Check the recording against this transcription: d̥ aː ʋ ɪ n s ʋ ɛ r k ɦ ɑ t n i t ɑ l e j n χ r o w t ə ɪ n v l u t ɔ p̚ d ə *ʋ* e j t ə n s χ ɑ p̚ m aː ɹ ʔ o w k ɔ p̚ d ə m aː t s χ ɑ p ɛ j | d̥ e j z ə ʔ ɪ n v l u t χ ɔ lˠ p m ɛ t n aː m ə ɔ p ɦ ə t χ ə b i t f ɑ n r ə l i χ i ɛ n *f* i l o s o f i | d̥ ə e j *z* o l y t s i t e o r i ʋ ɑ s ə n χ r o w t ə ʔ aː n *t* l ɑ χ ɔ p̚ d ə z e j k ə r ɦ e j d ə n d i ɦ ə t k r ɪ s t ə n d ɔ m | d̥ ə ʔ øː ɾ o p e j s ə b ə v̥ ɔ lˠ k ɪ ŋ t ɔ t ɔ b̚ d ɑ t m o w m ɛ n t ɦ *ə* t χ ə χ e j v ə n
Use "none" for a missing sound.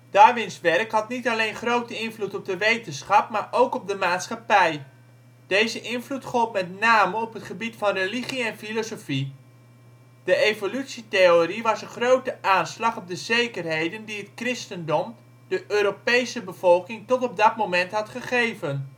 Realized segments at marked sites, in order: ʋ, f, v, s, ɑ

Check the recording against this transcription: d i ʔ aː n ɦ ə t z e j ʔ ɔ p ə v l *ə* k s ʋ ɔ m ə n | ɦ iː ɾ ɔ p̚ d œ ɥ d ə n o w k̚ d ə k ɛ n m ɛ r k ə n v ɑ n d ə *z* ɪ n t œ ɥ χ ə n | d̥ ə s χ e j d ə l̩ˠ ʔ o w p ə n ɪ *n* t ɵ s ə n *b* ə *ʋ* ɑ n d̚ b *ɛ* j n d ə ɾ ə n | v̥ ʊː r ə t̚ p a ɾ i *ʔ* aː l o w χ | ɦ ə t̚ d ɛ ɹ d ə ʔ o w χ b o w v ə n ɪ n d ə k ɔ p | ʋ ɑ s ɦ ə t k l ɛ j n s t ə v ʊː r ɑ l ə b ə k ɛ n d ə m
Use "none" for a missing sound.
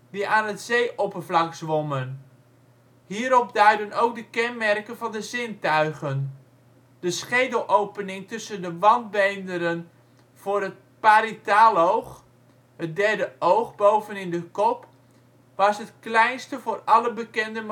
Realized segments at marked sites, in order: ɑ, z, ŋ, d, ʋ, e, t

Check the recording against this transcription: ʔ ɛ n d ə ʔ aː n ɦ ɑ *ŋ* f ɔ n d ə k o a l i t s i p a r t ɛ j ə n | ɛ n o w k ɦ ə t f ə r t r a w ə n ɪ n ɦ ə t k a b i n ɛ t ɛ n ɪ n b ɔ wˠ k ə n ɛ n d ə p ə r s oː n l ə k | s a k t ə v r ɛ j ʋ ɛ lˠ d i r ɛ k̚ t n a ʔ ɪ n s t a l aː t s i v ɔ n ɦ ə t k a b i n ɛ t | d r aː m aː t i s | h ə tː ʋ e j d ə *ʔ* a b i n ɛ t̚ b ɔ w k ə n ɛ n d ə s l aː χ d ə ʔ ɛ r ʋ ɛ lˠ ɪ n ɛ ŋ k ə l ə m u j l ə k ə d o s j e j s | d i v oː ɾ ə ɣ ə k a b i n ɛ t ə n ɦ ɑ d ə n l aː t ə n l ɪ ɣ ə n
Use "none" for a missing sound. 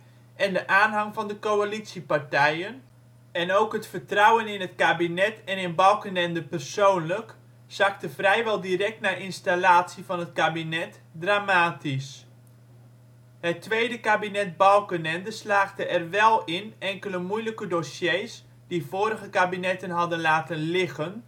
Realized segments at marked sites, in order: ŋ, k

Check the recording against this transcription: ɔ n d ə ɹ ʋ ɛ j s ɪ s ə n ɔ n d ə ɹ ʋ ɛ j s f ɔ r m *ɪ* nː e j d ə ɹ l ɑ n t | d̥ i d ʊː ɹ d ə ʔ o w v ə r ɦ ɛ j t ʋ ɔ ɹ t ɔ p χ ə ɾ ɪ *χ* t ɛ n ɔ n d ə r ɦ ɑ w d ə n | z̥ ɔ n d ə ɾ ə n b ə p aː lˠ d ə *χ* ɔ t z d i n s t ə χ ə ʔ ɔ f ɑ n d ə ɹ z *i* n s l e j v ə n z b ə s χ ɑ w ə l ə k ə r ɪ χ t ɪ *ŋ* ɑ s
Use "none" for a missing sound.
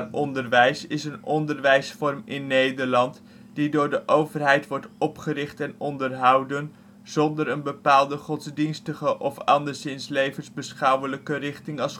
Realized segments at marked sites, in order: ɪ, χ, χ, ɪ, ŋ

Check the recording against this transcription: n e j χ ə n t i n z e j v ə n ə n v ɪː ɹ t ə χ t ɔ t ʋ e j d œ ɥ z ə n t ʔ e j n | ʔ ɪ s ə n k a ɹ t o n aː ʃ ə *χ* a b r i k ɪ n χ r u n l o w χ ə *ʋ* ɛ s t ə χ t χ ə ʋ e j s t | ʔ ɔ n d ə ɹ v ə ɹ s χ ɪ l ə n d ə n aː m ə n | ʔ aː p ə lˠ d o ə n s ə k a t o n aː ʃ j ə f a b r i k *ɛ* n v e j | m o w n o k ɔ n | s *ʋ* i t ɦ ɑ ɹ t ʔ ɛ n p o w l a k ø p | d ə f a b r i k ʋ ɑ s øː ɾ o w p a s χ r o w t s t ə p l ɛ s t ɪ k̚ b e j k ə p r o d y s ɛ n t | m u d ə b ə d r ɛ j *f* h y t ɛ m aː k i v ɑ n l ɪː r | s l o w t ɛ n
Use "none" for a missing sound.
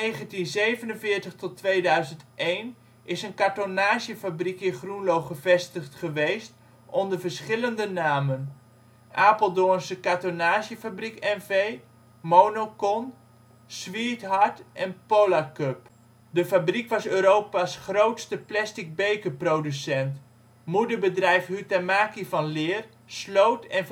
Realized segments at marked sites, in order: f, v, ɛ, ʋ, f

